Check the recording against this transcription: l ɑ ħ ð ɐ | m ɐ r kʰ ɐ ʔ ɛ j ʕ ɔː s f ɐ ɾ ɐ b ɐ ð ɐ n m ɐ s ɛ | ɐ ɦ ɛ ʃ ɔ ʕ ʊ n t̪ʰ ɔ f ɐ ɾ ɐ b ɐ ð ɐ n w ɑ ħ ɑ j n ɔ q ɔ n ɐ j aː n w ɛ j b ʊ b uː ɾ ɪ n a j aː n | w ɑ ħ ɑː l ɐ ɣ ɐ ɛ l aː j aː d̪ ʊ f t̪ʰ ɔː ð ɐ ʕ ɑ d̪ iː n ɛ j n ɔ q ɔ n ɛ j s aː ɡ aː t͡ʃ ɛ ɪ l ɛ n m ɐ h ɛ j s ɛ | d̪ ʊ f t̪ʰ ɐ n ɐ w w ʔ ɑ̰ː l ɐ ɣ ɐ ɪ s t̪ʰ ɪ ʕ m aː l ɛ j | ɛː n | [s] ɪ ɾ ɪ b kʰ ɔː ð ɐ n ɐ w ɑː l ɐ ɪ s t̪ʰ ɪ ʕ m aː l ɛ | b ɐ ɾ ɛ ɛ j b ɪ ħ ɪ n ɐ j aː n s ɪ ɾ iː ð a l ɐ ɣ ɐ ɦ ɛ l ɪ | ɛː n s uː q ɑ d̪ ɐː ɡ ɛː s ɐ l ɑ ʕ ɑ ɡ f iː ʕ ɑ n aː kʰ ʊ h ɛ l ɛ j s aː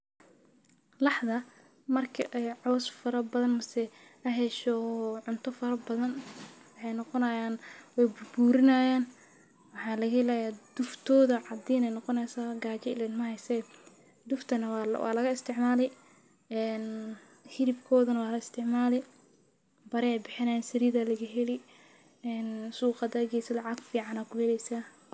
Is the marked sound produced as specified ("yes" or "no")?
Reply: no